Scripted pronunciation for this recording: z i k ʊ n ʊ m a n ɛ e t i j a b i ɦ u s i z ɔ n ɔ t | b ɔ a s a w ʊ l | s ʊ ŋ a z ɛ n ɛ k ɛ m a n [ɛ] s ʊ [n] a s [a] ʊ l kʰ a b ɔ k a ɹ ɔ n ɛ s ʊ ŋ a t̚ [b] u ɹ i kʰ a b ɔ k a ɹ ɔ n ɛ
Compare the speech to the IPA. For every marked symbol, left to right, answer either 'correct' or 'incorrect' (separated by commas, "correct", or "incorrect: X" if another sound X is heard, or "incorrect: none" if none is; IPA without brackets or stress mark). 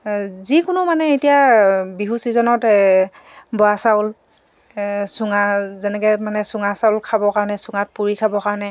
correct, incorrect: ŋ, correct, incorrect: p